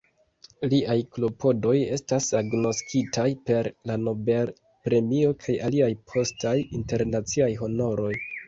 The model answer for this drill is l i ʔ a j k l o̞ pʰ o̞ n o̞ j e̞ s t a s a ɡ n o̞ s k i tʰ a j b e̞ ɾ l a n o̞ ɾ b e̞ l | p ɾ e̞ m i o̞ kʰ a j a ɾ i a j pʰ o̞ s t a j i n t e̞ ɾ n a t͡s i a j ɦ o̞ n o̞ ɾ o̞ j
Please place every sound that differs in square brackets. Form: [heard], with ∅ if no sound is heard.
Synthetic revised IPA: l i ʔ a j k l o̞ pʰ o̞ [d] o̞ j e̞ s t a s a ɡ n o̞ s k i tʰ a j [p] e̞ ɾ l a n o̞ [∅] b e̞ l | p ɾ e̞ m i o̞ kʰ a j a [l] i a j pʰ o̞ s t a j i n t e̞ ɾ n a t͡s i a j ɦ o̞ n o̞ ɾ o̞ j